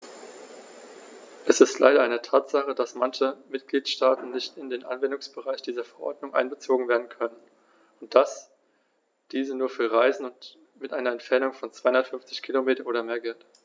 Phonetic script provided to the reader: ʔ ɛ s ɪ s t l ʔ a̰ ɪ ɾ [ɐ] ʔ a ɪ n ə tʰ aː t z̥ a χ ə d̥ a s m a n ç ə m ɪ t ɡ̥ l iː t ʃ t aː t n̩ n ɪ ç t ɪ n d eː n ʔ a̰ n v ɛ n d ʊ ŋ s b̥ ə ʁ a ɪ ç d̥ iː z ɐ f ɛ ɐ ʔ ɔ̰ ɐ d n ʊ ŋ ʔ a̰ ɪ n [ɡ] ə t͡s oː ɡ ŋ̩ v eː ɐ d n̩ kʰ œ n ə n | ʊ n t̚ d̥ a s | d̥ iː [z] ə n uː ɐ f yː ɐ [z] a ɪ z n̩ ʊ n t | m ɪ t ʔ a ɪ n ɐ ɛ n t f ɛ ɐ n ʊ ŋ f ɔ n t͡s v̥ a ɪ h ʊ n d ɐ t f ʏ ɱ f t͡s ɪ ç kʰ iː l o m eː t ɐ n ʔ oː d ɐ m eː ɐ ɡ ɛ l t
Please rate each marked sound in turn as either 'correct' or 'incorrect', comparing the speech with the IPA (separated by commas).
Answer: correct, incorrect, correct, incorrect